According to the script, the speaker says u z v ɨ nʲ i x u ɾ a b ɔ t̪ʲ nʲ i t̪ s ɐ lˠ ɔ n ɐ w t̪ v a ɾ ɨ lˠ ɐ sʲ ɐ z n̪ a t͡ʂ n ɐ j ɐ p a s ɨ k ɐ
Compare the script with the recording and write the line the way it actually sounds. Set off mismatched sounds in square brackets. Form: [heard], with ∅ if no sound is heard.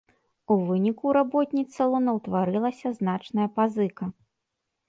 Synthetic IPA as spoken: u [∅] v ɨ nʲ i [k] u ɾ a b ɔ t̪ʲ nʲ i t̪ s ɐ lˠ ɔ n ɐ w t̪ v a ɾ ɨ lˠ ɐ sʲ ɐ z n̪ a t͡ʂ n ɐ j ɐ p a [z] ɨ k ɐ